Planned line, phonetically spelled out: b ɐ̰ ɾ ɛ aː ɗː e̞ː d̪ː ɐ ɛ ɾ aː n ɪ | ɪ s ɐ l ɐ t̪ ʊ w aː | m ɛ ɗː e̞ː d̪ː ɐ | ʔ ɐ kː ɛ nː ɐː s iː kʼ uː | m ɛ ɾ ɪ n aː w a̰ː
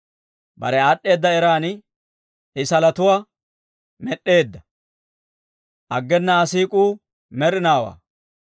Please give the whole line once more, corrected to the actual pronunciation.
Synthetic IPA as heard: b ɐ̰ ɾ ɛ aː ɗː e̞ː d̪ː ɐ ɛ ɾ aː n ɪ | ɪ s ɐ l ɐ t̪ ʊ w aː | m ɛ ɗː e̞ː d̪ː ɐ | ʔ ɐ ɡː ɛ nː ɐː s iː kʼ uː | m ɛ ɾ ɪ n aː w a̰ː